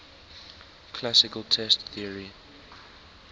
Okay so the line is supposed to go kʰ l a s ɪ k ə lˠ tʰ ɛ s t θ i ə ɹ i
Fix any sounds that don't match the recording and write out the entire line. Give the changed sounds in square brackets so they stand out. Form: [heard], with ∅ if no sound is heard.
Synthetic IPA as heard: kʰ l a s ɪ k ə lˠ tʰ ɛ s t θ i ə ɹ i